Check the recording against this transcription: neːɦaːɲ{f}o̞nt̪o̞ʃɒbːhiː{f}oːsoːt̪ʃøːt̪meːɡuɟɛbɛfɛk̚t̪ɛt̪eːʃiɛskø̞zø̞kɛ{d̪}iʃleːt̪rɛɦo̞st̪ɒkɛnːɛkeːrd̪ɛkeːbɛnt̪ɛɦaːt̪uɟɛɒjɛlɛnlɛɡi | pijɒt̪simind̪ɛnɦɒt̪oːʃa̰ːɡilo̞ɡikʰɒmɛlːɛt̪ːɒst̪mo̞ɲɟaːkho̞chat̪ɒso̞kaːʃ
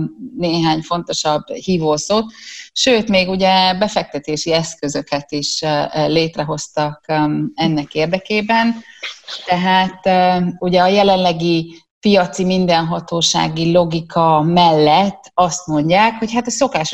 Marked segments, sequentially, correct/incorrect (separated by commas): correct, incorrect, incorrect